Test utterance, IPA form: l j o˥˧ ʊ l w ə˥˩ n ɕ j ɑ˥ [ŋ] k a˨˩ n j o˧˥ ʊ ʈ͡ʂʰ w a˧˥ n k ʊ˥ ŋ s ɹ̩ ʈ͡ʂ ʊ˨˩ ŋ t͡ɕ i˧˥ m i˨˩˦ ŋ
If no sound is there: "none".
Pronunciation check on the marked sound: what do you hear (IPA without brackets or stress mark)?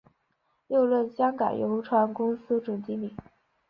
ŋ